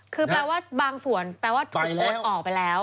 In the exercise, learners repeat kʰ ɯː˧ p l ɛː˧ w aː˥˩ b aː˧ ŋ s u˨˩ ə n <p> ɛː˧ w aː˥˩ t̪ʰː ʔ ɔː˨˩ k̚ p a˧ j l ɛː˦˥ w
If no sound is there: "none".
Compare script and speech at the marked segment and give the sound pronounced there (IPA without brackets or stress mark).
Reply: p